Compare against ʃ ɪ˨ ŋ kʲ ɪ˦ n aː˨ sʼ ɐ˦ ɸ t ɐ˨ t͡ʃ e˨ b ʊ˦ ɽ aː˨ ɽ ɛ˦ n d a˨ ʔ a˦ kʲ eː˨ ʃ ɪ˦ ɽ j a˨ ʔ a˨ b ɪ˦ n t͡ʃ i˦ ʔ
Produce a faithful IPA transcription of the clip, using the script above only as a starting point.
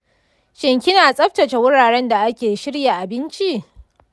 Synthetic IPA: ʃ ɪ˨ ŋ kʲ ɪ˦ n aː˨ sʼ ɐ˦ ɸ t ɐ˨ t͡ʃ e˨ w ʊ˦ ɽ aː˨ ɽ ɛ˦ n d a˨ ʔ a˦ kʲ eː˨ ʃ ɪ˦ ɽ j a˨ ʔ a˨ b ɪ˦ n t͡ʃ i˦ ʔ